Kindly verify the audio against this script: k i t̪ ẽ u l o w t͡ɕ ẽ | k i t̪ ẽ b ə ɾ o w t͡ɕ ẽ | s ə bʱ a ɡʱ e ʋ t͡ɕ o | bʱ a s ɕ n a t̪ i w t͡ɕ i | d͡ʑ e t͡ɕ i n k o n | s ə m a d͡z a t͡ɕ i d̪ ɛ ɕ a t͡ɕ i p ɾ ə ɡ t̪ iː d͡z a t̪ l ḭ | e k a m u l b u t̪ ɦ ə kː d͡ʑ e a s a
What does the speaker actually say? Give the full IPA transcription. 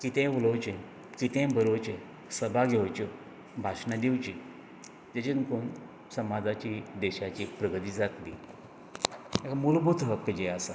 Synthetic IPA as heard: k i t̪ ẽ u l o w t͡ɕ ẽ | k i t̪ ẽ b ə ɾ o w t͡ɕ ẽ | s ə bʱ a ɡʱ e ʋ t͡ɕ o | bʱ a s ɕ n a d̪ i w t͡ɕ i | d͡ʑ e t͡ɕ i n k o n | s ə m a d͡z a t͡ɕ i d̪ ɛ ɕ a t͡ɕ i p ɾ ə ɡ t̪ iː d͡z a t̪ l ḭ | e k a m u l b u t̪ ɦ ə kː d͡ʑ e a s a